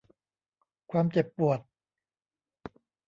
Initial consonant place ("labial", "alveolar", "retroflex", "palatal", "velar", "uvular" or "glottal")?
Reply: velar